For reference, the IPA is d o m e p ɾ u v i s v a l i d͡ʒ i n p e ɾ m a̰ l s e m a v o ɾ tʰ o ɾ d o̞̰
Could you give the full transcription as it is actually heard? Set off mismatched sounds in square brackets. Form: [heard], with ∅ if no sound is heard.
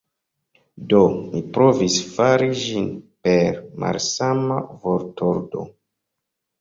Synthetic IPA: d o m [i] p ɾ [o] v i s [f] a [ɾ] i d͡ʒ i n p e ɾ m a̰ l s [a] m a v o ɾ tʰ o ɾ d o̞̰